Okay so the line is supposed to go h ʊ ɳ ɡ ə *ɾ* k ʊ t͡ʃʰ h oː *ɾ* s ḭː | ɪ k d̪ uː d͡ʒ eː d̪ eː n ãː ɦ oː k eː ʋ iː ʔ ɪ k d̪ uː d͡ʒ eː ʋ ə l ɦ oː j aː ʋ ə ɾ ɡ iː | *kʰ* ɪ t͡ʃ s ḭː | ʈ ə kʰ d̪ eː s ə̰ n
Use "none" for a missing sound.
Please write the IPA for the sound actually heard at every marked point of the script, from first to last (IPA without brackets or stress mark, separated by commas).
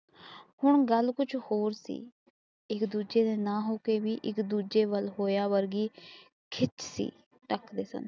l, ɾ, kʰ